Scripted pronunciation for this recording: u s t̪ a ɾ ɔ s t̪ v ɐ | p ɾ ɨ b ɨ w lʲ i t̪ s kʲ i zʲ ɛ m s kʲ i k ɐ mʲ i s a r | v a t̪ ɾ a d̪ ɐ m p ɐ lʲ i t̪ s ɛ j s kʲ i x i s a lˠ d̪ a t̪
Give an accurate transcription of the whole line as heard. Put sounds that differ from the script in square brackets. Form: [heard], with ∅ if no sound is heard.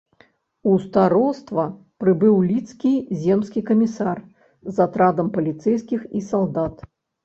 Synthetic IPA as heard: u s t̪ a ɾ ɔ s t̪ v ɐ | p ɾ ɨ b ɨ w lʲ i t̪ s kʲ i zʲ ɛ m s kʲ i k ɐ mʲ i s a r | [z] a t̪ ɾ a d̪ ɐ m p ɐ lʲ i t̪ s ɛ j s kʲ i x i s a lˠ d̪ a t̪